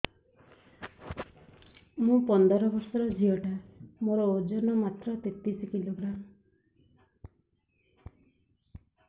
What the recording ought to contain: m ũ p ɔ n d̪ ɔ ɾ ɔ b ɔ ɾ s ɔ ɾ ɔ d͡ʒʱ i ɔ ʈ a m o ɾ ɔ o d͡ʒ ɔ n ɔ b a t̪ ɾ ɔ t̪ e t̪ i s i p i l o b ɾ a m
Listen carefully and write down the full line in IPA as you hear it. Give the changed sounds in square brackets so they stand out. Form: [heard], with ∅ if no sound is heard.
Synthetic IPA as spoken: m ũ p ɔ n d̪ ɔ ɾ ɔ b ɔ ɾ s ɔ ɾ ɔ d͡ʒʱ i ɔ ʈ a m o ɾ ɔ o d͡ʒ ɔ n ɔ [m] a t̪ ɾ ɔ t̪ e t̪ i s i [k] i l o [ɡ] ɾ a m